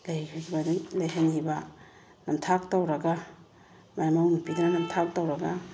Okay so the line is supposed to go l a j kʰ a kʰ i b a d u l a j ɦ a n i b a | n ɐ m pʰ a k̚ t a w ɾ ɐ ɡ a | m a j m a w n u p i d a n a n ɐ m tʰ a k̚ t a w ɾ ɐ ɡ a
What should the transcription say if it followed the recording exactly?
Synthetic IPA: l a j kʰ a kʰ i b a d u l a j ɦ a n i b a | n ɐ m tʰ a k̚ t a w ɾ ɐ ɡ a | m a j m a w n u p i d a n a n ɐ m tʰ a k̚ t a w ɾ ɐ ɡ a

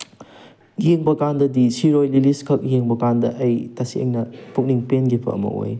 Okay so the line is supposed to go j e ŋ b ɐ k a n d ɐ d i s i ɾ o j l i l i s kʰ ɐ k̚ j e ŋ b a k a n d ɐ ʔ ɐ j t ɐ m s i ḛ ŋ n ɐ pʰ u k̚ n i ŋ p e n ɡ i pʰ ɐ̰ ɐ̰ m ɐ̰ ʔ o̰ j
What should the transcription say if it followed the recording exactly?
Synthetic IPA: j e ŋ b ɐ k a n d ɐ d i s i ɾ o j l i l i s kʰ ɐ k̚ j e ŋ b ɐ k a n d ɐ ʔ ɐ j t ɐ s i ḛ ŋ n ɐ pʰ u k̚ n i ŋ p e n ɡ i pʰ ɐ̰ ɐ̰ m ɐ̰ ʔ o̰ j

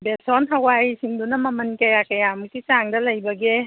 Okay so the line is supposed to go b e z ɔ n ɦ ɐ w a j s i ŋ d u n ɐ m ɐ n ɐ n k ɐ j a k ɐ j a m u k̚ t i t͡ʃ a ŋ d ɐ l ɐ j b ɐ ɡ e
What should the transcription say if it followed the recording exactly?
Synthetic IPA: b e s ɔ n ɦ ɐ w a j s i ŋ d u n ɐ m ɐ m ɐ n k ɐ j a k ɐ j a m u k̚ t i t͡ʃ a ŋ d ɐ l ɐ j b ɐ ɡ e

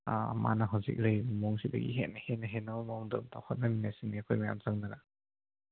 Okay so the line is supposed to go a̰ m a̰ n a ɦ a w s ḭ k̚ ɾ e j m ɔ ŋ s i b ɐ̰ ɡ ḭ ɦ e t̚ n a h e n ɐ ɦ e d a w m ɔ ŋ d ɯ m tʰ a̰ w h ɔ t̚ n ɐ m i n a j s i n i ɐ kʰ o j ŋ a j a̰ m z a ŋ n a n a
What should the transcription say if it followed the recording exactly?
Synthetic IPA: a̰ m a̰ n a ɦ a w z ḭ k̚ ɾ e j m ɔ ŋ s i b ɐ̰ ɡ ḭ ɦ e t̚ n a h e n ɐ ɦ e n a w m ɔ ŋ d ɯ m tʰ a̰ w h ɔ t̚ n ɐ m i n a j s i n i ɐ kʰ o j m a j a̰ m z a ŋ n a n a

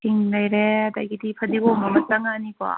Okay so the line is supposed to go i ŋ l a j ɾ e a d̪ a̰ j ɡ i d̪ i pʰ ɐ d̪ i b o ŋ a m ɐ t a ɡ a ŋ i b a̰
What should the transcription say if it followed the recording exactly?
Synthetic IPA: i ŋ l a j ɾ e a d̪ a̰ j ɡ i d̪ i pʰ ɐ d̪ i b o m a m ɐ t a ŋ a n i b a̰

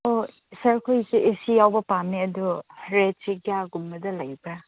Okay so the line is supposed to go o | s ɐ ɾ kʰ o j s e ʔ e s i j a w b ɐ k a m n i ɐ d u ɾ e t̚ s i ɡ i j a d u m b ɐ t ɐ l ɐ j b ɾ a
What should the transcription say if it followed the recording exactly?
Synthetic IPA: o | s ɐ ɾ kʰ o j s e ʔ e s i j a w b ɐ p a m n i ɐ d u ɾ e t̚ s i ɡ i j a ɡ u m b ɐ d ɐ l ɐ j b ɾ a

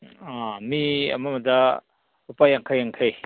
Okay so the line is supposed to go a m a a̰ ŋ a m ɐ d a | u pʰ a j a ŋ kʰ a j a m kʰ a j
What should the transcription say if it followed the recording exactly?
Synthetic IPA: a m i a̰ m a m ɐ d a | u p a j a ŋ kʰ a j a ŋ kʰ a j

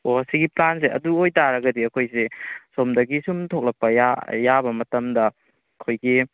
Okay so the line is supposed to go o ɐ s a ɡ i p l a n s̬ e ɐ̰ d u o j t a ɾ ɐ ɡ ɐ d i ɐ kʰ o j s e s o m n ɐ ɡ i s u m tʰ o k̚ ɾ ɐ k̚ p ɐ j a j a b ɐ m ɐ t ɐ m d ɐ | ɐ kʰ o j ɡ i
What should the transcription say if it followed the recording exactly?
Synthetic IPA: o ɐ s i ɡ i p l a n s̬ e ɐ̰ d u o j t a ɾ ɐ ɡ ɐ d i ɐ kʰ o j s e s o m d ɐ ɡ i s u m tʰ o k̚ l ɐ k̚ p ɐ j a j a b ɐ m ɐ t ɐ m d ɐ | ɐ kʰ o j ɡ i

